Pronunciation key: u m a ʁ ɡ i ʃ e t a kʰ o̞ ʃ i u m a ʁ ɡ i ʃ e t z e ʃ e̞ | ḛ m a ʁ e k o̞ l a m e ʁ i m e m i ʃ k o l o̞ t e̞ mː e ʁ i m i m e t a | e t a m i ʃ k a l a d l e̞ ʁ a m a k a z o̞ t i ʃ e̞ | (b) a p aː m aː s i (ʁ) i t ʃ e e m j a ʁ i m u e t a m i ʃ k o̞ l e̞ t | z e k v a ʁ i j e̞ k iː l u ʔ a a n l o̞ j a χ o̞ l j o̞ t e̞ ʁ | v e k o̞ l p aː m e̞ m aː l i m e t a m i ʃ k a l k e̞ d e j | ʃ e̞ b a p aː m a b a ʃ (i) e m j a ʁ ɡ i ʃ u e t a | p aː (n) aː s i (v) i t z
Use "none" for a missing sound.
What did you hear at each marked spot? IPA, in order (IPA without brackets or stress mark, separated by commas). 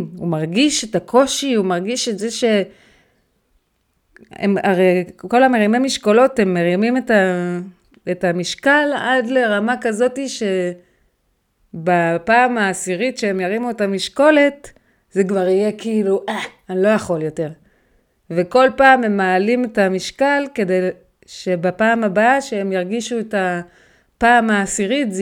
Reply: b, ʁ, e, m, ʁ